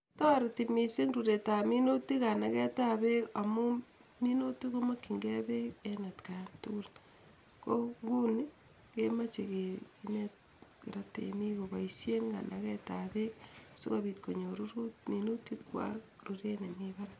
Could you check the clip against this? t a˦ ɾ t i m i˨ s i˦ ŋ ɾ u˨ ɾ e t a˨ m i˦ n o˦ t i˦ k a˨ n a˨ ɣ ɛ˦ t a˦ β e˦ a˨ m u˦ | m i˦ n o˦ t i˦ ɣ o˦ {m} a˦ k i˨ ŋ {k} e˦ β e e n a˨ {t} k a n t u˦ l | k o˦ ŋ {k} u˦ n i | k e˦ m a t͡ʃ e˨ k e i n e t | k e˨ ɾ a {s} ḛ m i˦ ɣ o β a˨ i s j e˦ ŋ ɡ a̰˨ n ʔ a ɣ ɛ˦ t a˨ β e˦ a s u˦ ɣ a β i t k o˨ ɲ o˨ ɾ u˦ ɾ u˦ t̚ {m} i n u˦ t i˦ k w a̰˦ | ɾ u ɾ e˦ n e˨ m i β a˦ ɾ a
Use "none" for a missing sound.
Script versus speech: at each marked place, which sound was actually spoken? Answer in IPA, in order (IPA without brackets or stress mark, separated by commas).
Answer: m, ɡ, t, ɡ, t, m